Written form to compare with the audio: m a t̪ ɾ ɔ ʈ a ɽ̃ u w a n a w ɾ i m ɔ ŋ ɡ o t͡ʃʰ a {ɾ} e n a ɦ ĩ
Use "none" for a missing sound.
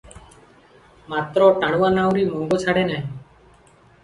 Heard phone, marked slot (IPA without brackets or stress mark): ɽ